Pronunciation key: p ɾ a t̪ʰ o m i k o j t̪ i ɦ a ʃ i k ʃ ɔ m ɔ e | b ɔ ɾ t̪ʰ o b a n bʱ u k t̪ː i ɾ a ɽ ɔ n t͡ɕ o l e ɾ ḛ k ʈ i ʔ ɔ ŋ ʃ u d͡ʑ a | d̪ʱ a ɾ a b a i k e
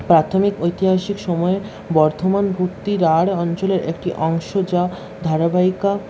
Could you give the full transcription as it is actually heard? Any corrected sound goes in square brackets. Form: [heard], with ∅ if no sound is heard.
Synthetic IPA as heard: p ɾ a t̪ʰ o m i k o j t̪ i ɦ a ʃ i k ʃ ɔ m ɔ e | b ɔ ɾ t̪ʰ o [m] a n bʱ u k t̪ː i ɾ a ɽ ɔ n t͡ɕ o l e ɾ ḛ k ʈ i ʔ ɔ ŋ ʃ [o] d͡ʑ a | d̪ʱ a ɾ a b a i k [a]